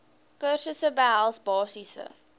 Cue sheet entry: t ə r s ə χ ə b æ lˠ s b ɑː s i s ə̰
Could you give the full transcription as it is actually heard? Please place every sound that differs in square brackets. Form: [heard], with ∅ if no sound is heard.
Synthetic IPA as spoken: [k] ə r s ə [s] ə b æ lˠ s b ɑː s i s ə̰